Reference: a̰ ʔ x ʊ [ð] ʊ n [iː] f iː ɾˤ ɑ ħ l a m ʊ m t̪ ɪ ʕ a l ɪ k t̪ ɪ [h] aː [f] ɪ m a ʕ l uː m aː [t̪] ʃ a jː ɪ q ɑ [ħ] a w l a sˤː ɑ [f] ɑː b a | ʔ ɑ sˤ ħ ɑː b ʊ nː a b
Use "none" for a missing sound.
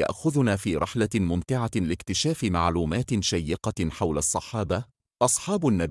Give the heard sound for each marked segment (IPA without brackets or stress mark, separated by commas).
ð, aː, ʃ, f, t̪, ħ, ħ